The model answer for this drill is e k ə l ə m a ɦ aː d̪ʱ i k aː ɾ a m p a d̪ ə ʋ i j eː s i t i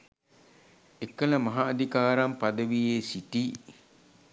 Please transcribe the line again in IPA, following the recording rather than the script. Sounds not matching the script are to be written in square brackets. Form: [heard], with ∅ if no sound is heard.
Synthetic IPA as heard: e k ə l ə m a ɦ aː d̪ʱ i k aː ɾ a m p a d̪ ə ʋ i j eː s i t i